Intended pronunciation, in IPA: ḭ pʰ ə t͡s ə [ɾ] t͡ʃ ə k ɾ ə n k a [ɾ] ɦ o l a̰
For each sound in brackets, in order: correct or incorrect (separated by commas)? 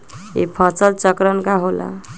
incorrect, incorrect